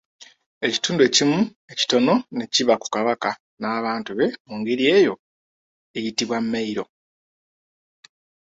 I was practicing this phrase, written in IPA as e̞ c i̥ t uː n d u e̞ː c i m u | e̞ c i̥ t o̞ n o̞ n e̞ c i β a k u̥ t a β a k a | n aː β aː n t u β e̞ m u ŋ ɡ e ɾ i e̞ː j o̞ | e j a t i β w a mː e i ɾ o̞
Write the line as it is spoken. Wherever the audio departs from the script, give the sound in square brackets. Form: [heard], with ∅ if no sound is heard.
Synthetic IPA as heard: e̞ c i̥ t uː n d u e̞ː c i m u | e̞ c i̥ t o̞ n o̞ n e̞ c i β a k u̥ [k] a β a k a | n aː β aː n t u β e̞ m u ŋ ɡ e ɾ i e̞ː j o̞ | e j [i] t i β w a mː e i ɾ o̞

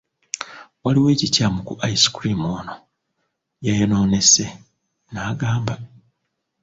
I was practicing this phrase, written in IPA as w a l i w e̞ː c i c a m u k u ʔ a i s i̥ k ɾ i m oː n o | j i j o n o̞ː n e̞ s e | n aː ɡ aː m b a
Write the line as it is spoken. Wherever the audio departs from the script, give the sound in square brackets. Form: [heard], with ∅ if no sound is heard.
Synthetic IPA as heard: w a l i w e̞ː c i c a m u k u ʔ a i s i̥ k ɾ i m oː n o | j [a] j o n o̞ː n e̞ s e | n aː ɡ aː m b a

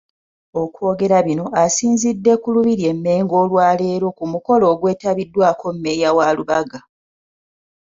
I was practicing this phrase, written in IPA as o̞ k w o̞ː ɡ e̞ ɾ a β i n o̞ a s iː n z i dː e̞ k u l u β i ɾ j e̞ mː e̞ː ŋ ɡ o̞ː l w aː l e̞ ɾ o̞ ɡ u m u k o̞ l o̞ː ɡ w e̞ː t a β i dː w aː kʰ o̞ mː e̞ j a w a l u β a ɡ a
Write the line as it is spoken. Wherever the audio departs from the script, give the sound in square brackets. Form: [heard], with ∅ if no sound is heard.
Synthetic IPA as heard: o̞ k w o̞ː ɡ e̞ ɾ a β i n o̞ a s iː n z i dː e̞ k u l u β i ɾ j e̞ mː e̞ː ŋ ɡ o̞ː l w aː l e̞ ɾ o̞ [k] u m u k o̞ l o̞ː ɡ w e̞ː t a β i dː w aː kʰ o̞ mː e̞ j a w a l u β a ɡ a

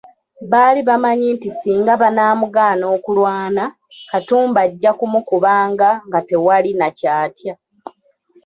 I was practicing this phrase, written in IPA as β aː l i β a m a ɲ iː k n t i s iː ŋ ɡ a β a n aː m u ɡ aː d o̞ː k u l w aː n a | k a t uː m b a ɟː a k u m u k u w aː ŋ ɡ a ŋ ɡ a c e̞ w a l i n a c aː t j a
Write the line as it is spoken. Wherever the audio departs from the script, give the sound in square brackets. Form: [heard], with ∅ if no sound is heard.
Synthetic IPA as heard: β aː l i β a m a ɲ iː [∅] n t i s iː ŋ ɡ a β a n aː m u ɡ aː [n] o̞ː k u l w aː n a | k a t uː m b a ɟː a k u m u k u [β] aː ŋ ɡ a ŋ ɡ a [t] e̞ w a l i n a c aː t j a

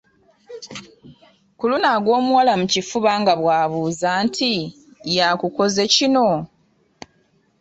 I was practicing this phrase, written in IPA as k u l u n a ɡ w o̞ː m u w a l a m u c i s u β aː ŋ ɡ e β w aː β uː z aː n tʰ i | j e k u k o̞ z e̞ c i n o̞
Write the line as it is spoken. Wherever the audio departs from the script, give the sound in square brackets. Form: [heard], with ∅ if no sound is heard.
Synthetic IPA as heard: k u l u n a ɡ w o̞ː m u w a l a m u c i [f] u β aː ŋ ɡ [a] β w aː β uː z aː n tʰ i | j [a] k u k o̞ z e̞ c i n o̞

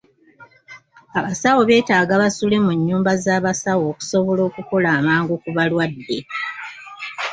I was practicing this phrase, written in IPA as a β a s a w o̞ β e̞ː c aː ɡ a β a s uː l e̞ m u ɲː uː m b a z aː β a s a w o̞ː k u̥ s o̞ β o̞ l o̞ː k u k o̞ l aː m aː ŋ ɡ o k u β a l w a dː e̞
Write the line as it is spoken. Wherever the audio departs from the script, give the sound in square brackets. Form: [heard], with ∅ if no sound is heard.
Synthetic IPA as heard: a β a s a w o̞ β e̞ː [t] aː ɡ a β a s [u] l e̞ m u ɲː uː m b a z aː β a s a w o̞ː k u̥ s o̞ β o̞ l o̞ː k u k o̞ l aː m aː ŋ ɡ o k u β a l w a dː e̞

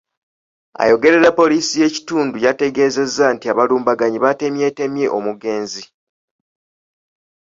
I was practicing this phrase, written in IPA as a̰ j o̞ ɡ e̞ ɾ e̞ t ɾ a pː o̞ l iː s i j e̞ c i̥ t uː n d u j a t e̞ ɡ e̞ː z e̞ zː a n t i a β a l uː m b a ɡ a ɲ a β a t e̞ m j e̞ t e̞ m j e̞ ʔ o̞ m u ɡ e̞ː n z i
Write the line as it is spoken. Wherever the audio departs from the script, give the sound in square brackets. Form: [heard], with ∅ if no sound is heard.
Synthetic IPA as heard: a̰ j o̞ ɡ e̞ ɾ e̞ [∅] ɾ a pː o̞ l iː s i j e̞ c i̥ t uː n d u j a t e̞ ɡ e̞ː z e̞ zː a n t i a β a l uː m b a ɡ a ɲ [i] β a t e̞ m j e̞ t e̞ m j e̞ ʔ o̞ m u ɡ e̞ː n z i

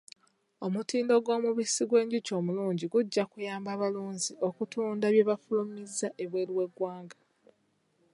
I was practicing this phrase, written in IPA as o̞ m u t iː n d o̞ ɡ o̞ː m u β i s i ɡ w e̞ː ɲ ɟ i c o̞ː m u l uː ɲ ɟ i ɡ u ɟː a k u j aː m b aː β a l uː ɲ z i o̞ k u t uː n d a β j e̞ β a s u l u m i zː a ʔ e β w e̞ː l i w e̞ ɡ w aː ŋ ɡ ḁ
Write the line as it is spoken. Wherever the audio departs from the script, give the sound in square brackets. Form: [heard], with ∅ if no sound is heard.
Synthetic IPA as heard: o̞ m u t iː n d o̞ ɡ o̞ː m u β i s i ɡ w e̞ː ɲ ɟ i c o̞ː m u l uː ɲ ɟ i ɡ u ɟː a k u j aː m b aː β a l uː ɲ z i o̞ k u t uː n d a β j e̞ β a [f] u l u m i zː a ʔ e β w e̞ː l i w e̞ ɡ w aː ŋ ɡ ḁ

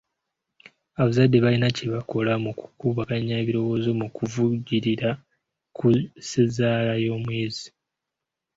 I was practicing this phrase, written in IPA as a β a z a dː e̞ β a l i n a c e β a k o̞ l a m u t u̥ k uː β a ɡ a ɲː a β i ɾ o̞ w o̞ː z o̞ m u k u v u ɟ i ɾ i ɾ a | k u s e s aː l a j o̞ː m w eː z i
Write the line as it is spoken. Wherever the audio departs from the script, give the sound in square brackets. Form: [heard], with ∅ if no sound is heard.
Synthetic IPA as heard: a β a z a dː e̞ β a l i n a c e β a k o̞ l a m u [k] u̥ k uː β a [k] a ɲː a β i ɾ o̞ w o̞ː z o̞ m u k u v u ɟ i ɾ i ɾ a | k u s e [z] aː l a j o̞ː m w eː z i

